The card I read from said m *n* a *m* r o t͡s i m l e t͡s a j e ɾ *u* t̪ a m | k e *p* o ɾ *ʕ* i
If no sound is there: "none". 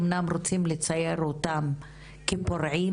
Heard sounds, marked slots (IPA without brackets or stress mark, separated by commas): n, m, o, p, ʕ